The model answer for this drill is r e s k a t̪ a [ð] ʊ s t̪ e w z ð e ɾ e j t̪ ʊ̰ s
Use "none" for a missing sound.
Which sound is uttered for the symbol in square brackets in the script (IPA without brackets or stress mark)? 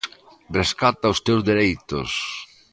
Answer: none